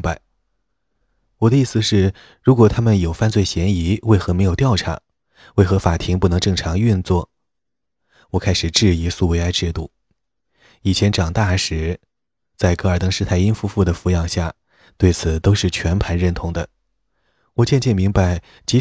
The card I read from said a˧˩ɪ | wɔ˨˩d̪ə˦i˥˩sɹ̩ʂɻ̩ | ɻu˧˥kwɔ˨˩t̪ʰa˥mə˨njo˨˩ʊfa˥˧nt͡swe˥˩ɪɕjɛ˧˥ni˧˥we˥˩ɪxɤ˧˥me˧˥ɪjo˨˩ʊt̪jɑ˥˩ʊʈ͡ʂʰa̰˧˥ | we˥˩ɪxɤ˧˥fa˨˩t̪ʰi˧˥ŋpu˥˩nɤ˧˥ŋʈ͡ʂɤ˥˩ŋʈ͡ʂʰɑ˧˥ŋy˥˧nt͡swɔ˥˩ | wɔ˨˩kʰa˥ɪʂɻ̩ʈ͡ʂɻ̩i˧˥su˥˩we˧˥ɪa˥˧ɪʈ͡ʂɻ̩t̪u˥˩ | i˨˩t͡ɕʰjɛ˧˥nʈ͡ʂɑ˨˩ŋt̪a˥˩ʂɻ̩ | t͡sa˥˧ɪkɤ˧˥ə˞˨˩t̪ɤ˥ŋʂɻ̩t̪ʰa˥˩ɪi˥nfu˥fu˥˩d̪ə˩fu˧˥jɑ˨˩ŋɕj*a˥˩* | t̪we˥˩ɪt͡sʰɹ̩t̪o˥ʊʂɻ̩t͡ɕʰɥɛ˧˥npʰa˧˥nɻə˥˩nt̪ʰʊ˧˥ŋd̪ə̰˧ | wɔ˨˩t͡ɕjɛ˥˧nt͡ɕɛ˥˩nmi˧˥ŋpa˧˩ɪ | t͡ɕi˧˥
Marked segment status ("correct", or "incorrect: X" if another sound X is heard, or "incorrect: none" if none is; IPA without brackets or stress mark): correct